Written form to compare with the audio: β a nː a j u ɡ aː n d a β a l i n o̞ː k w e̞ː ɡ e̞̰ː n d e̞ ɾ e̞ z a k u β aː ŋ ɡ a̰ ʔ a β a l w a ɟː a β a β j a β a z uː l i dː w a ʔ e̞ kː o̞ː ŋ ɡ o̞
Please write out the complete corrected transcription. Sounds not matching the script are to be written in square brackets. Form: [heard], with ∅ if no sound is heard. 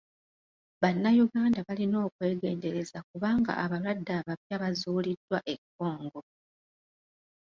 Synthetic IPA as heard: β a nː a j u ɡ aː n d a β a l i n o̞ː k w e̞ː ɡ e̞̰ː n d e̞ ɾ e̞ z a k u β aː ŋ ɡ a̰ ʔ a β a l w a [dː] a β a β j a β a z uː l i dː w a ʔ e̞ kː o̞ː ŋ ɡ o̞

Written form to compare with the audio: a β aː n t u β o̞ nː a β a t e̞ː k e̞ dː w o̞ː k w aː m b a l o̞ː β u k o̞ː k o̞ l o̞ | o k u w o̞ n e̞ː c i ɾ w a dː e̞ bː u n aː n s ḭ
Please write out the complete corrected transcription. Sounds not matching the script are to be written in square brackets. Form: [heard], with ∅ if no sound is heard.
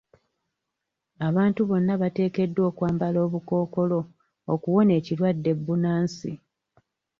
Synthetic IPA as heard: a β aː n t u β o̞ nː a β a t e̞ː k e̞ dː w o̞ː k w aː m b a l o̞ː β u k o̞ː k o̞ l o̞ | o k u w o̞ n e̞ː c i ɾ w a dː e̞ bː u n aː n s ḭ

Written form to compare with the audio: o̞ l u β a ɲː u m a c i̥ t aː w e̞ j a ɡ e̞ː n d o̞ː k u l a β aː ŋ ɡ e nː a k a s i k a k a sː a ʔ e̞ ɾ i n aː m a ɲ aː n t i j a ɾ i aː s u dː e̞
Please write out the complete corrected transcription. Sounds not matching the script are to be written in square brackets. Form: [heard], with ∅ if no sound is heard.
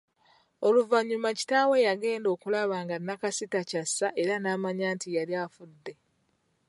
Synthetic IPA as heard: o̞ l u [v] a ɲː u m a c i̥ t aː w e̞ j a ɡ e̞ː n d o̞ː k u l a β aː ŋ ɡ [a] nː a k a s i [t] a [c] a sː a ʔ e̞ ɾ [a] n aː m a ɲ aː n t i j a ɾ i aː [f] u dː e̞

